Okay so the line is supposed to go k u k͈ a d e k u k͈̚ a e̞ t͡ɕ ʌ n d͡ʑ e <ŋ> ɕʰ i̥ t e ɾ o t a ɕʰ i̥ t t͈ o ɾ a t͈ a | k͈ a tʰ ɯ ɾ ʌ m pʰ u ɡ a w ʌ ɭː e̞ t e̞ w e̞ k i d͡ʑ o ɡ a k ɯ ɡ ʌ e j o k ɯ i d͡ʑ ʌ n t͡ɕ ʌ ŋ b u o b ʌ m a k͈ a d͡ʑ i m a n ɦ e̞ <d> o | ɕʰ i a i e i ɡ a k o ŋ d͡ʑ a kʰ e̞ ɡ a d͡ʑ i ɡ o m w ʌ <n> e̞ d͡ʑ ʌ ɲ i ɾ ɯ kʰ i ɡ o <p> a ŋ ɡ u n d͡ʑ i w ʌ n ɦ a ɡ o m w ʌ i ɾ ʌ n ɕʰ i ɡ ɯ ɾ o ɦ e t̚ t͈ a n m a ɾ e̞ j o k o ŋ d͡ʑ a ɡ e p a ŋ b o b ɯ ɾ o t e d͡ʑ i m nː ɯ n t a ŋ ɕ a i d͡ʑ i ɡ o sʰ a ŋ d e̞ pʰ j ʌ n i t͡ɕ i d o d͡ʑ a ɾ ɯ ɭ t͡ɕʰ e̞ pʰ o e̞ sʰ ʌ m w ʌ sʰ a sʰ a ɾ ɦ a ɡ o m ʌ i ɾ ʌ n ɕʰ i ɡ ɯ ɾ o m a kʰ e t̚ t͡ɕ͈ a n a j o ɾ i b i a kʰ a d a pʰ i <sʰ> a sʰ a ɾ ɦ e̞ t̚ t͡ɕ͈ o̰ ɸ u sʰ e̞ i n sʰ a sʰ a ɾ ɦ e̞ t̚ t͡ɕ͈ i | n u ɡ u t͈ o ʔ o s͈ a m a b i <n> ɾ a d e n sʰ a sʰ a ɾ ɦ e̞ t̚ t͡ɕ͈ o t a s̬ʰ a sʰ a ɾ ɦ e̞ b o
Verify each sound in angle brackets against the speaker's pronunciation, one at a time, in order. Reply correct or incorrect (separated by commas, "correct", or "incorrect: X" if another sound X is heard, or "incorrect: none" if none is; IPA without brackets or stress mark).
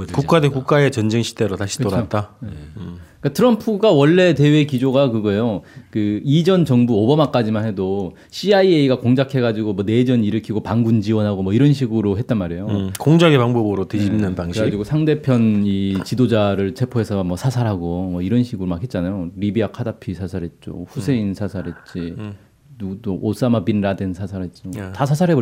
correct, correct, correct, correct, correct, correct